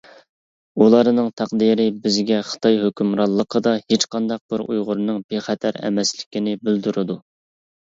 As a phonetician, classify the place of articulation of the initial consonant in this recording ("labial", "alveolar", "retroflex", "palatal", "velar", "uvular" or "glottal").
alveolar